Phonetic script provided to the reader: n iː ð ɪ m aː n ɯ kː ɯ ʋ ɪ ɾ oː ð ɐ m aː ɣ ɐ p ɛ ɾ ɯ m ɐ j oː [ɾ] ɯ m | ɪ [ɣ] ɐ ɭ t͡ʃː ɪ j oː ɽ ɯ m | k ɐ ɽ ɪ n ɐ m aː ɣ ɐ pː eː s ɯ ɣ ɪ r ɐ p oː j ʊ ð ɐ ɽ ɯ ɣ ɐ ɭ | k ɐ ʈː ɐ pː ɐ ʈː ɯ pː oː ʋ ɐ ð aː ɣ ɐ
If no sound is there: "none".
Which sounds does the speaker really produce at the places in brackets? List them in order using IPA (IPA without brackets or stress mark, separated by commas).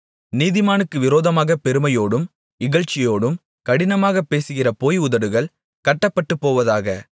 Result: ɽ, ɣ